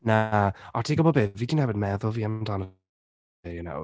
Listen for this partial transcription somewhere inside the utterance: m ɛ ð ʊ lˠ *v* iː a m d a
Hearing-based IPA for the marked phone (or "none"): v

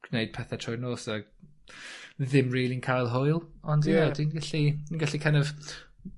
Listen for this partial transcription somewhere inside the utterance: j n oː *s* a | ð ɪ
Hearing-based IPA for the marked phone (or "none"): s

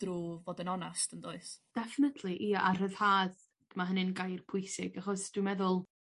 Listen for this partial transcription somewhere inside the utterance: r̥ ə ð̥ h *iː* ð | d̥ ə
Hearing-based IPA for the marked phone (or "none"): aː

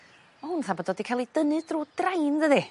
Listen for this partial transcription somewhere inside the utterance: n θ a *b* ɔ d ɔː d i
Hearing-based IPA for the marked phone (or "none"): b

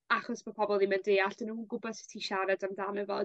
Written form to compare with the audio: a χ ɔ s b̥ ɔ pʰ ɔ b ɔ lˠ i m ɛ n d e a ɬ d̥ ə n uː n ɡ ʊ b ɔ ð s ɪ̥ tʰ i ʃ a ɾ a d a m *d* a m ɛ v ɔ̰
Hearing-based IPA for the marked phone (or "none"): d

